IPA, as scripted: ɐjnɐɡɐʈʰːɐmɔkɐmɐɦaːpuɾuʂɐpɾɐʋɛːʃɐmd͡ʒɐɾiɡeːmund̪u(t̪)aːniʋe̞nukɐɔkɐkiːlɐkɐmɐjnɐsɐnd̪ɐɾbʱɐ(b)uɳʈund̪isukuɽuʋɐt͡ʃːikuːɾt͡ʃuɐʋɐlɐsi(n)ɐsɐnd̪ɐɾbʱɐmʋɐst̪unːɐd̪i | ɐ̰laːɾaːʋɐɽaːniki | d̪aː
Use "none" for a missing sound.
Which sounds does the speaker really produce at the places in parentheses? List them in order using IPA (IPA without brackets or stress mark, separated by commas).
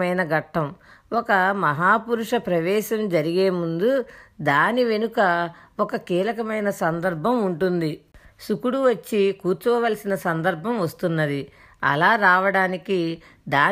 d̪, m, n